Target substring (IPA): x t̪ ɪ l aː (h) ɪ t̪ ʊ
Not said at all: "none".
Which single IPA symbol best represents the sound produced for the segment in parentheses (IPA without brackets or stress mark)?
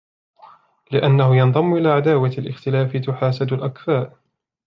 f